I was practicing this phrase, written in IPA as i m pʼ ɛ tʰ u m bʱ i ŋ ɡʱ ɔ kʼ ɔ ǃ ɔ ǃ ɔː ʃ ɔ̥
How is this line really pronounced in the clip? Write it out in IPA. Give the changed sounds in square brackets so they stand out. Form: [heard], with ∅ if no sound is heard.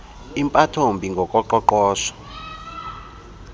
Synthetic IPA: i m pʼ [a] tʰ [o] m bʱ i ŋ ɡʱ ɔ kʼ ɔ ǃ ɔ ǃ ɔː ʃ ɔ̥